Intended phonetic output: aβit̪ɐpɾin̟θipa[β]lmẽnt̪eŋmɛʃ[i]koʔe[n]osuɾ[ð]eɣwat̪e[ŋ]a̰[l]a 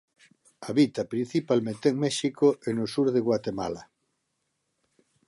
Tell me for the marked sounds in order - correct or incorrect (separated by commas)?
incorrect, correct, correct, correct, incorrect, correct